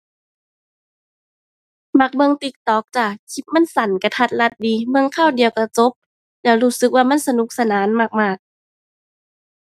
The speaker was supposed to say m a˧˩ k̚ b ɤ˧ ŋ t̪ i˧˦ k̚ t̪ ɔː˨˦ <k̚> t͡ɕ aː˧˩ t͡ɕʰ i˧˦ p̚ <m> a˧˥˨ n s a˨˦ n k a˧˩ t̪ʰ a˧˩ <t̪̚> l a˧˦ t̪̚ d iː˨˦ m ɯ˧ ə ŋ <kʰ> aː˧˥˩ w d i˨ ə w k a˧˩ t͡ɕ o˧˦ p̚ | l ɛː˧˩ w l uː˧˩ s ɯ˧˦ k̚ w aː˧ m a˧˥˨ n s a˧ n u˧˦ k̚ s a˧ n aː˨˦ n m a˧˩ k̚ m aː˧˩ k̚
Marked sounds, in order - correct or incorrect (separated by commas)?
correct, correct, correct, correct